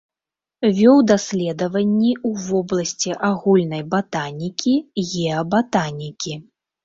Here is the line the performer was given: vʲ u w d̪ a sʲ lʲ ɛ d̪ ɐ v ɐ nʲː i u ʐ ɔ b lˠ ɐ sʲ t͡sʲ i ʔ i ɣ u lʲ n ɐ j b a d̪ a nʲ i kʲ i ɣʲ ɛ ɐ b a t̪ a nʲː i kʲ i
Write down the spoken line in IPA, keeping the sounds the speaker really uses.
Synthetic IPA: vʲ ɔ w d̪ a sʲ lʲ ɛ d̪ ɐ v ɐ nʲː i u v ɔ b lˠ ɐ sʲ t͡sʲ i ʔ a ɣ u lʲ n ɐ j b a t̪ a nʲ i kʲ i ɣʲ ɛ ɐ b a t̪ a nʲ i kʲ i